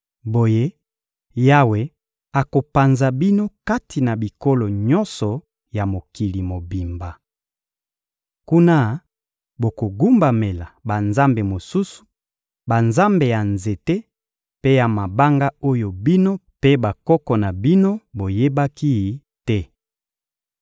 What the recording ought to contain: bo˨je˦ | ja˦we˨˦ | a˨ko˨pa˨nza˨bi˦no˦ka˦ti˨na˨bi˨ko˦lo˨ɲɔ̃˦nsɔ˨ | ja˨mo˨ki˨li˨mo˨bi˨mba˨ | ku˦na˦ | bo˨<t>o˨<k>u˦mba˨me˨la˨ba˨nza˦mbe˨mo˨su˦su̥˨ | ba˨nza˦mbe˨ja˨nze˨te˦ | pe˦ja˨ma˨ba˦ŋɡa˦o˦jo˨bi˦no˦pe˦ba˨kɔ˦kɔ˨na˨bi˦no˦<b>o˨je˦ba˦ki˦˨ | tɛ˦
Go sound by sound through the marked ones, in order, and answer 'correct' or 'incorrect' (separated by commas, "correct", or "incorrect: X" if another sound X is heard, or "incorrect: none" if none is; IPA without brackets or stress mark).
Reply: incorrect: k, incorrect: ɡ, correct